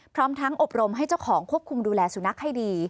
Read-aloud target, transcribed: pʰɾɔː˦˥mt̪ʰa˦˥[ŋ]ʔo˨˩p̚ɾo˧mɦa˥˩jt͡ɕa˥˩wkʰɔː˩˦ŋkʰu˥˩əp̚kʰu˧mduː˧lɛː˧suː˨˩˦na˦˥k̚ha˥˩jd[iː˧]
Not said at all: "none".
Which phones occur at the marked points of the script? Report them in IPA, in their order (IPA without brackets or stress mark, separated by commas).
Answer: ŋ, iː˧